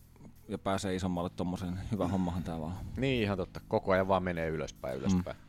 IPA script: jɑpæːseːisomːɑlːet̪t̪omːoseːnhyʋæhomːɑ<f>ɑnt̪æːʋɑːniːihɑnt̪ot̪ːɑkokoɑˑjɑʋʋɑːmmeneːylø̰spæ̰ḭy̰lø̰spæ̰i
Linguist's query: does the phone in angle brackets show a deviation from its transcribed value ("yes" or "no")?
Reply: yes